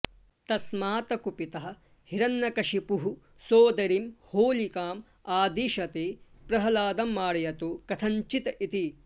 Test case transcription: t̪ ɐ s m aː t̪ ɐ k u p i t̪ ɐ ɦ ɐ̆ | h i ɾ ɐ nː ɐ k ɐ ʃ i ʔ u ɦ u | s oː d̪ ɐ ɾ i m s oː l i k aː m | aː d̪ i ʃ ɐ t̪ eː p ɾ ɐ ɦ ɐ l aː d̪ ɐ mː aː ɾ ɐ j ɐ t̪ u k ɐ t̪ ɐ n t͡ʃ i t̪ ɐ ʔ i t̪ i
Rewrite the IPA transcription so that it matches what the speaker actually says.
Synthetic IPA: t̪ ɐ s m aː t̪ ɐ k u p i t̪ ɐ ɦ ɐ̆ | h i ɾ ɐ nː ɐ k ɐ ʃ i p u ɦ u | s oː d̪ ɐ ɾ i m h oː l i k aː m | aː d̪ i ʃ ɐ t̪ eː p ɾ ɐ ɦ ɐ l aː d̪ ɐ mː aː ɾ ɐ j ɐ t̪ u k ɐ t̪ʰ ɐ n t͡ʃ i t̪ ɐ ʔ i t̪ i